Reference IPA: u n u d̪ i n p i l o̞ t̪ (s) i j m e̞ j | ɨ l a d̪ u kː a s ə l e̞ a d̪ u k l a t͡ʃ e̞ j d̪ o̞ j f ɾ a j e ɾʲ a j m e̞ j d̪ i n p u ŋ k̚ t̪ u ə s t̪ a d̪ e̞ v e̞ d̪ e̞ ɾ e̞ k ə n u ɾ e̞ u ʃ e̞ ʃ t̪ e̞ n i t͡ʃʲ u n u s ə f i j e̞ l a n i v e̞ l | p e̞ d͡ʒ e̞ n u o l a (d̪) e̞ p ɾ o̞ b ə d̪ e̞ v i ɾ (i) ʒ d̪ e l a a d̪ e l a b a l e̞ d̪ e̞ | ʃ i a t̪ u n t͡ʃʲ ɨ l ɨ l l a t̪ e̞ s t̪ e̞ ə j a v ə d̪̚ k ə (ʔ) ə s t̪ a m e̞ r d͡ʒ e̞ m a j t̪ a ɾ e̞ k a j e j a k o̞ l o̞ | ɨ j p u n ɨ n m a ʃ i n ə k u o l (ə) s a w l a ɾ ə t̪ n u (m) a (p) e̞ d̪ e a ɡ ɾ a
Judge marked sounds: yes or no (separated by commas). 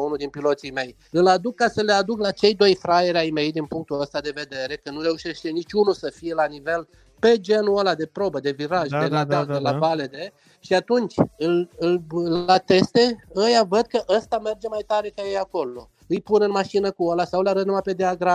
yes, yes, no, yes, no, yes, yes